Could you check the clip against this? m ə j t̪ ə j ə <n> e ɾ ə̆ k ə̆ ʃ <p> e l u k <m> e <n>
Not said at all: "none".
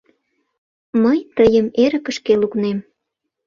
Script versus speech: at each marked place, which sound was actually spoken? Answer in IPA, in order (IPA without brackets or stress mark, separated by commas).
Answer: m, k, n, m